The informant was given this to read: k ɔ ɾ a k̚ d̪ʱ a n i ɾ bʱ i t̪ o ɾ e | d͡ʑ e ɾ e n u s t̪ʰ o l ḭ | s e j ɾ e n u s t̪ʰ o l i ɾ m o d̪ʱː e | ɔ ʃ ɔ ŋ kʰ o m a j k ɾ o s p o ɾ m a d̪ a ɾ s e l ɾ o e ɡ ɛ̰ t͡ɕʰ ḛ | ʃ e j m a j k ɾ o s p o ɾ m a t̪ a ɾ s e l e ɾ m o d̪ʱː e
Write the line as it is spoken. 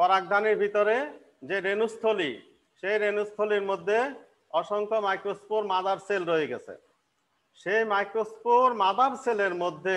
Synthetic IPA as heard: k ɔ ɾ a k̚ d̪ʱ a n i ɾ bʱ i t̪ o ɾ e | d͡ʑ e ɾ e n u s t̪ʰ o l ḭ | ʃ e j ɾ e n u s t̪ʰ o l i ɾ m o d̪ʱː e | ɔ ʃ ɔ ŋ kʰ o m a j k ɾ o s p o ɾ m a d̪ a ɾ s e l ɾ o e ɡ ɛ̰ t͡ɕʰ ḛ | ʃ e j m a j k ɾ o s p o ɾ m a d̪ a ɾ s e l e ɾ m o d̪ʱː e